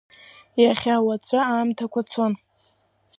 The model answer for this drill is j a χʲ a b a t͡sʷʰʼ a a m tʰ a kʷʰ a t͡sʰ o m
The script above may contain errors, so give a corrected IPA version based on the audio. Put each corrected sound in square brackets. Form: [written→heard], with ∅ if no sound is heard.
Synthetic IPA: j a χʲ a [b→w] a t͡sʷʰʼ a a m tʰ a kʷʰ a t͡sʰ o [m→n]